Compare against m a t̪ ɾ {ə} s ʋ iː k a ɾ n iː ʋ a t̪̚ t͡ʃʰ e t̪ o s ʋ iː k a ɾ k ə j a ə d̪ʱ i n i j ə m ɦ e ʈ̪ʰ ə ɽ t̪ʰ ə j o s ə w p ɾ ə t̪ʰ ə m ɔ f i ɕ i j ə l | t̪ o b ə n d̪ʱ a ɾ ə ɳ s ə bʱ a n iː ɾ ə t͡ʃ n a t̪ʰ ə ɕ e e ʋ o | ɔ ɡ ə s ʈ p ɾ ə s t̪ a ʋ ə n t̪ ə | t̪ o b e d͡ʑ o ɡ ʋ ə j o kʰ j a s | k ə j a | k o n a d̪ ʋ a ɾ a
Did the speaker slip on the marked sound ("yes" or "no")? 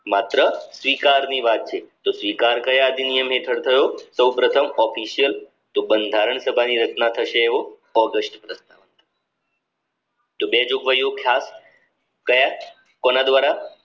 no